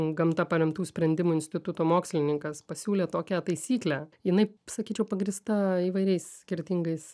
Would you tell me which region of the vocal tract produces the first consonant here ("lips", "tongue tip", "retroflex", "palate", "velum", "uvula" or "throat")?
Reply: velum